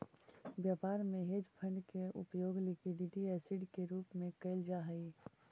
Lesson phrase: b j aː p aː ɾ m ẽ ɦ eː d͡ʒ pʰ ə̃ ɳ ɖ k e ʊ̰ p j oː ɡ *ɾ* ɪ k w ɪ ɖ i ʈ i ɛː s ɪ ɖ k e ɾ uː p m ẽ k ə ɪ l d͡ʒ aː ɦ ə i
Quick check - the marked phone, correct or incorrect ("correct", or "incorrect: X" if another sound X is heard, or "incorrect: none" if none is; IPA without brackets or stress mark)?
incorrect: l